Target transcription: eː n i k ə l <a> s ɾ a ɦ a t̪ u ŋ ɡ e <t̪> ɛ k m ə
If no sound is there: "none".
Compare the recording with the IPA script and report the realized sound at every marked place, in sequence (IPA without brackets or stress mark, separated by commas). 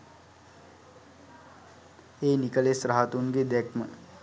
e, d̪